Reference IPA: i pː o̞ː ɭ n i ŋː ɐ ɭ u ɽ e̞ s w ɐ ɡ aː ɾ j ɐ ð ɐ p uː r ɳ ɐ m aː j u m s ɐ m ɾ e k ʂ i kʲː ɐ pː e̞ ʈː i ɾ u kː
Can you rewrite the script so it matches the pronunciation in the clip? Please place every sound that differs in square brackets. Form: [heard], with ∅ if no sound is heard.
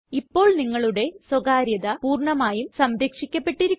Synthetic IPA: i pː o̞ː ɭ n i ŋː ɐ ɭ u ɽ e̞ s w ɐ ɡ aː ɾ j ɐ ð ɐ p uː r ɳ ɐ m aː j u m s ɐ m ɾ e k ʂ i kʲː ɐ pː e̞ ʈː i ɾ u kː